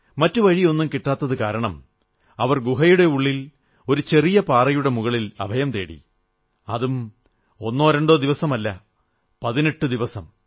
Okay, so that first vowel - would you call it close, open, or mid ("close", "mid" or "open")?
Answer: open